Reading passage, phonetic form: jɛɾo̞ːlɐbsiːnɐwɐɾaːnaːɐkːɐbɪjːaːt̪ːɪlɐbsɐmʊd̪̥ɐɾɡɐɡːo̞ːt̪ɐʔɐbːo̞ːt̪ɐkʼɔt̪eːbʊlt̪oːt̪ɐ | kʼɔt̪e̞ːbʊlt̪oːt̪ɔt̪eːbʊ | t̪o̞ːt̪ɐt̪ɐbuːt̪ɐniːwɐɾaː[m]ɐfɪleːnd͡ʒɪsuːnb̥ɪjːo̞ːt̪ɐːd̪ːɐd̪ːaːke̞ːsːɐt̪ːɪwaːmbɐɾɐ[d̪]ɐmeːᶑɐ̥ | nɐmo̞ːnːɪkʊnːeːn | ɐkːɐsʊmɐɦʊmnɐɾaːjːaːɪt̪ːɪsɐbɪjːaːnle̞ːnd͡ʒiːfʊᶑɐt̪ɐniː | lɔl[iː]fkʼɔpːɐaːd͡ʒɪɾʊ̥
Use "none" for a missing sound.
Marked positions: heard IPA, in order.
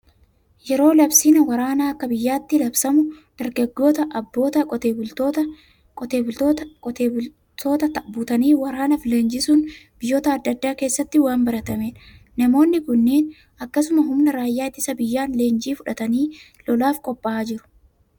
n, t̪, aː

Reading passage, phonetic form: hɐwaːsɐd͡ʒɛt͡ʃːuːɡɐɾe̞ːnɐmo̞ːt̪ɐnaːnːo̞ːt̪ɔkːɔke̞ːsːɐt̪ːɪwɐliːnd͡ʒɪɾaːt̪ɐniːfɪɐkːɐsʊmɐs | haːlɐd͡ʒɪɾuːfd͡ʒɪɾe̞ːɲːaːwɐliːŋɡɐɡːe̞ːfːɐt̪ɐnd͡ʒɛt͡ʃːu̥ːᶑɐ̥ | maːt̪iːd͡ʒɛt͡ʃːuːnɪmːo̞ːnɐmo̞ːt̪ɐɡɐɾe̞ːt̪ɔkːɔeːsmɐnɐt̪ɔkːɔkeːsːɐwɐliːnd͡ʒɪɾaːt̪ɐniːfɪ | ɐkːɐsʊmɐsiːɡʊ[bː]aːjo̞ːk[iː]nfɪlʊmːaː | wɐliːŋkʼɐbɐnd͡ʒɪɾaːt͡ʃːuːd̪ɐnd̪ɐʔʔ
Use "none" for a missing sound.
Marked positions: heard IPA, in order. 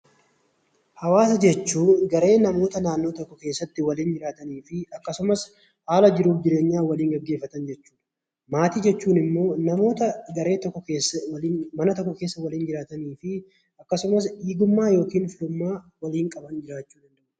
mː, iː

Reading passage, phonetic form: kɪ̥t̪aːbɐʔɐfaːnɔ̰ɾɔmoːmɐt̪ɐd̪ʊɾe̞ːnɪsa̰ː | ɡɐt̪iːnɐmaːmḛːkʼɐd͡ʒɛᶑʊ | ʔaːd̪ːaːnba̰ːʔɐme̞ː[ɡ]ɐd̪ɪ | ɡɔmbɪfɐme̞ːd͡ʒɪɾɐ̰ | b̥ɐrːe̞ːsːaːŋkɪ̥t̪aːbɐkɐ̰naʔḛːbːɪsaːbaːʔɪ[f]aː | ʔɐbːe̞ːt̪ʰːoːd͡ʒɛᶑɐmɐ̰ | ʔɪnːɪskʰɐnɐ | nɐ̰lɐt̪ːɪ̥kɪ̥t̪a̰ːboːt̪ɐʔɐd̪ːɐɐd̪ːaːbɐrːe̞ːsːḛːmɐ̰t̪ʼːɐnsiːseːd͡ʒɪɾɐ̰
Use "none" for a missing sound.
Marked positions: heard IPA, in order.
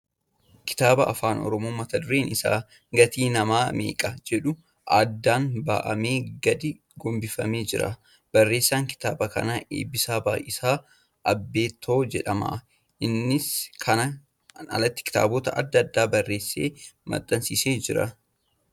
ɡ, s

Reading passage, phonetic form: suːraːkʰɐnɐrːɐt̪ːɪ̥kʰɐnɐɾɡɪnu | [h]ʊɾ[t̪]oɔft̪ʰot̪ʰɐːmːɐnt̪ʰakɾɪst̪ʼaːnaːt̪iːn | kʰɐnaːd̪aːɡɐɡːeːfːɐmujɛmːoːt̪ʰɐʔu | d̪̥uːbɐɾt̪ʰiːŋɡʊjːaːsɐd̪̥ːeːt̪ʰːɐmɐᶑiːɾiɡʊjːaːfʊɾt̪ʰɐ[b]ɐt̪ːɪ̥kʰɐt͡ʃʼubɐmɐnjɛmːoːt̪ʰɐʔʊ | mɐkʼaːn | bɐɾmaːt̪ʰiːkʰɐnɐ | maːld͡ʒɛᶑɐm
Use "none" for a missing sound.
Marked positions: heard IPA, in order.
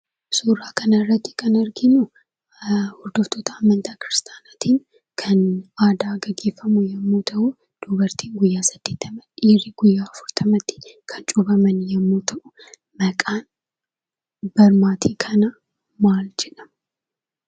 h, d̪, m

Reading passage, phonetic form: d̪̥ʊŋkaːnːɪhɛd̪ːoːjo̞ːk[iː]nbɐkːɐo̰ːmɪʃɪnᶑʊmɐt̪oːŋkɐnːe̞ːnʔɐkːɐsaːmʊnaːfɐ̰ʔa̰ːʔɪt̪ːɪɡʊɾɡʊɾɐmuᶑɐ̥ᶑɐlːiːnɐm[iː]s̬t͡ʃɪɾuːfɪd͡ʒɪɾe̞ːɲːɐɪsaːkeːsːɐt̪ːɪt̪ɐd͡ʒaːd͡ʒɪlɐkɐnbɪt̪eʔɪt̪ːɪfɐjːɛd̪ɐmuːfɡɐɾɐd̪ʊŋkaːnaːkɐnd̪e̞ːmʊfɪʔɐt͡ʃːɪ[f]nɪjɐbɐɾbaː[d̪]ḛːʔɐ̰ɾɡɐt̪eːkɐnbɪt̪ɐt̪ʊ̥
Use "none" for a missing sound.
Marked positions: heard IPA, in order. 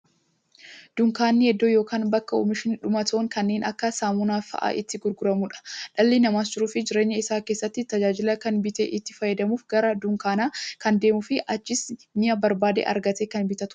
aː, aː, s, d̪

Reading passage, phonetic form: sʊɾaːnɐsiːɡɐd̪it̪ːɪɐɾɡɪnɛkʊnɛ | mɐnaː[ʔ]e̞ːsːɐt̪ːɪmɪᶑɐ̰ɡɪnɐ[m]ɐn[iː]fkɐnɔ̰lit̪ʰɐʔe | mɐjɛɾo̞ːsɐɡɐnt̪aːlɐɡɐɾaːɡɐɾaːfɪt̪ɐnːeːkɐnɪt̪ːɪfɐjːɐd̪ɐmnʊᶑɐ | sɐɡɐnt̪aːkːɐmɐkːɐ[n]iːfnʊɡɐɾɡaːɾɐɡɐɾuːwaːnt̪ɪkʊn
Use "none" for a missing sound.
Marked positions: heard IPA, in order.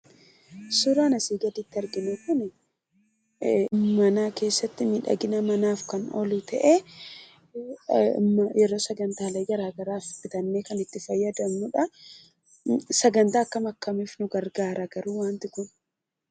k, m, aː, m

